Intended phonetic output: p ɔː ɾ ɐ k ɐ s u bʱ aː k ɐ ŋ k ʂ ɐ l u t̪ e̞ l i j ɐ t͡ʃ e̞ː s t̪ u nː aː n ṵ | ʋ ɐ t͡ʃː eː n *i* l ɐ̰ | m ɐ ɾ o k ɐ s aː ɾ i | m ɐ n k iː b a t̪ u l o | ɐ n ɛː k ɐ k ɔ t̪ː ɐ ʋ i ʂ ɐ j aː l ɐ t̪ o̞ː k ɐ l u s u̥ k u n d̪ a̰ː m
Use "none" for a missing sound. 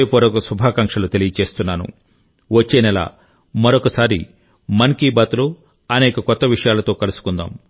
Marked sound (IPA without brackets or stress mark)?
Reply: ɛ